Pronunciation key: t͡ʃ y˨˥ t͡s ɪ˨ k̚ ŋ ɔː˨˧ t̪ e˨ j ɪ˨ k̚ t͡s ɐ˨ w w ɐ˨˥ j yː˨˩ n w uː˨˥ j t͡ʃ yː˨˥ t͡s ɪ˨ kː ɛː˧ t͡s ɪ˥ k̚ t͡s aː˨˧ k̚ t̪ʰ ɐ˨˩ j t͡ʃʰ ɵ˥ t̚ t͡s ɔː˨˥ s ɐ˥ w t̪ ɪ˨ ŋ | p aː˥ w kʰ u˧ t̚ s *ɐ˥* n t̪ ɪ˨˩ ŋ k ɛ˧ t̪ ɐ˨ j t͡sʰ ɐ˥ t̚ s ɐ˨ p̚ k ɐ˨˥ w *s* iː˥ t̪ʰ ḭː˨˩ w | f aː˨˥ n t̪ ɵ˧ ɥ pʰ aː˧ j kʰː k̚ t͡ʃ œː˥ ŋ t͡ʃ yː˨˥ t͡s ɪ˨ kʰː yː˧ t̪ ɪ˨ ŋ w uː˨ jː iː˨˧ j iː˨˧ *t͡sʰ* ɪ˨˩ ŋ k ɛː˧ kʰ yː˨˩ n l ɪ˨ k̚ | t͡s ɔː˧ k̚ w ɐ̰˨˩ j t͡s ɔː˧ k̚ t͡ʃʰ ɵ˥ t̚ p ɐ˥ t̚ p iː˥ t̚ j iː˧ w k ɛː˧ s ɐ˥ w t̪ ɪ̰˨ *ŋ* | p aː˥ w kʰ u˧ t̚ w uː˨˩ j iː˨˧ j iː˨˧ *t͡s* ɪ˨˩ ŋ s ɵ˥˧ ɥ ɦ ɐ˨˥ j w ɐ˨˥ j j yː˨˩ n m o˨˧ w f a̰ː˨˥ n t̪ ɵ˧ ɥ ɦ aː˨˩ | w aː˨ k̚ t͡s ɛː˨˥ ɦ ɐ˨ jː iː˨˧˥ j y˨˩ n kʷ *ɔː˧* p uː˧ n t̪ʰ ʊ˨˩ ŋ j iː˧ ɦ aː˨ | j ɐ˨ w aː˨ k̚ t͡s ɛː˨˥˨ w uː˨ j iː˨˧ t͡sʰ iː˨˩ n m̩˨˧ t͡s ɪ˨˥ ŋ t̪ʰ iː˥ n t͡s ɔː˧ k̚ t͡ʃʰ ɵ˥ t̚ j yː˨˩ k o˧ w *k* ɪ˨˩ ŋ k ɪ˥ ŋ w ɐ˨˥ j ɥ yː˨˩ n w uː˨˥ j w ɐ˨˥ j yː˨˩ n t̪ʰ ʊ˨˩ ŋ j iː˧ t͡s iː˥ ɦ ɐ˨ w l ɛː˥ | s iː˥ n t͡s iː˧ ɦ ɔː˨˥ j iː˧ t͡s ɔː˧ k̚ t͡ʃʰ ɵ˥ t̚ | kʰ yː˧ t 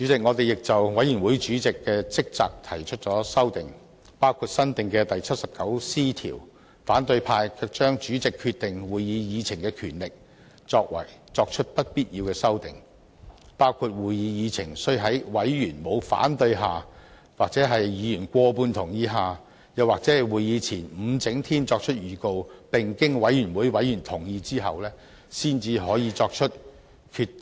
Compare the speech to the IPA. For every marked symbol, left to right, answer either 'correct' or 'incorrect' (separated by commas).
correct, correct, correct, correct, incorrect, correct, incorrect